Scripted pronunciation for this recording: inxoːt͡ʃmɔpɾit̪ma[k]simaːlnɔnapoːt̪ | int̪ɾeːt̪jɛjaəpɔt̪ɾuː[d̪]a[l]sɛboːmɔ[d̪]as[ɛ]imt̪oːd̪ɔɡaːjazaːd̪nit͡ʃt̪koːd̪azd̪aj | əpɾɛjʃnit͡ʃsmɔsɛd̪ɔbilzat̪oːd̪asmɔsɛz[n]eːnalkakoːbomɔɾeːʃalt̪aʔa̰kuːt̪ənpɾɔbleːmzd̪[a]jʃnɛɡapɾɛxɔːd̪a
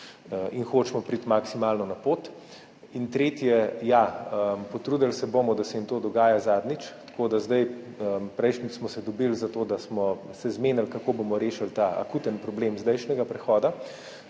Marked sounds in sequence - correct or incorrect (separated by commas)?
correct, correct, correct, correct, correct, incorrect, incorrect